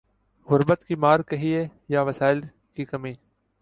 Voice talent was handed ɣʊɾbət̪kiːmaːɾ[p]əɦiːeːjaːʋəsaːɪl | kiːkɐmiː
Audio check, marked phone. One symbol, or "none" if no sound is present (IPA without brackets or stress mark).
k